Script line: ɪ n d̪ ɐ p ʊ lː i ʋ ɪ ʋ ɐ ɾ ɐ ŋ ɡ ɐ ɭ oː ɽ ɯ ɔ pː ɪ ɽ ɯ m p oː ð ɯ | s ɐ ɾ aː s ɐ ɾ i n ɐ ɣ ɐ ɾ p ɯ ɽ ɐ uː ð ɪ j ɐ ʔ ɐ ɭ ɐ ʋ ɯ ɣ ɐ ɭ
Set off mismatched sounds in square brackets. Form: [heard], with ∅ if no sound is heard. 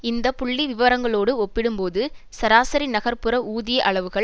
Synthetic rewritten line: ɪ n d̪ ɐ p ʊ [ɭː] i ʋ ɪ ʋ ɐ ɾ ɐ ŋ ɡ ɐ ɭ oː ɽ ɯ ɔ pː ɪ ɽ ɯ m p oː ð ɯ | s ɐ ɾ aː s ɐ ɾ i n ɐ ɣ ɐ ɾ p ɯ [ɾ] ɐ uː ð ɪ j ɐ ʔ ɐ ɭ ɐ ʋ ɯ ɣ ɐ ɭ